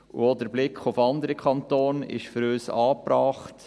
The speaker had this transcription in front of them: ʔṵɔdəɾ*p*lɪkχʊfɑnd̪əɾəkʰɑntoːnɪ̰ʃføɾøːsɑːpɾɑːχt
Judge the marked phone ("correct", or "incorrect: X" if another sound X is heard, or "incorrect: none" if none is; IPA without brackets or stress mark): incorrect: b